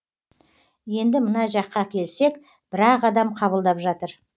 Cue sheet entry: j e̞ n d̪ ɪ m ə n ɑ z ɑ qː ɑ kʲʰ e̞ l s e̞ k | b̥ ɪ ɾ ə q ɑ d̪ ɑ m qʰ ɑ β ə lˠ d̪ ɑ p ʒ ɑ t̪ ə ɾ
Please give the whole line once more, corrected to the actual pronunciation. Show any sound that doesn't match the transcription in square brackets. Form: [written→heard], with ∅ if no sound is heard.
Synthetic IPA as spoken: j e̞ n d̪ ɪ m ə n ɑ [z→ʒ] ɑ qː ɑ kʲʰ e̞ l s e̞ k | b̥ ɪ ɾ [ə→ɑ] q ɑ d̪ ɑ m qʰ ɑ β ə lˠ d̪ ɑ p ʒ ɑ t̪ ə ɾ